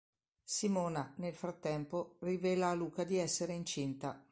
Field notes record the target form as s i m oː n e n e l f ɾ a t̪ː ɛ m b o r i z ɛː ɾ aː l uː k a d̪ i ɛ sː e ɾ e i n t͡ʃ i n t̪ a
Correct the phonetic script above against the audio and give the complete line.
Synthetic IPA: s i m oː n a n e l f ɾ a t̪ː ɛ m p o r i v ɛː l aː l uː k a d̪ i ɛ sː e ɾ e i n t͡ʃ i n t̪ a